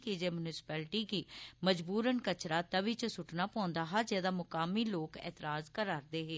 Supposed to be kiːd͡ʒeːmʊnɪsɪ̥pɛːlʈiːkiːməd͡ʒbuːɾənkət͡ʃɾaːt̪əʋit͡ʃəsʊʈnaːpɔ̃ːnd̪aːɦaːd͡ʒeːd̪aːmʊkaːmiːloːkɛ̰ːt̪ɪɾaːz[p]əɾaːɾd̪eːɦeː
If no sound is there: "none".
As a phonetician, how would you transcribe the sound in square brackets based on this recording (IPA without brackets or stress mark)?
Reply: k